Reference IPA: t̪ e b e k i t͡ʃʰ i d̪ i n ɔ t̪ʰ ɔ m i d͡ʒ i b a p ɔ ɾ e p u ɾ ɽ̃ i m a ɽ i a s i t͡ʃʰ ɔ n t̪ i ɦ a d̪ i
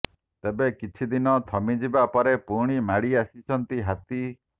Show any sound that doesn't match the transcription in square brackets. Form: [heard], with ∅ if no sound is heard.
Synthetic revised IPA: t̪ e b e k i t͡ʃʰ i d̪ i n ɔ t̪ʰ ɔ m i d͡ʒ i b a p ɔ ɾ e p u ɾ ɽ̃ i m a ɽ i a s i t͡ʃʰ ɔ n t̪ i ɦ a [t̪] i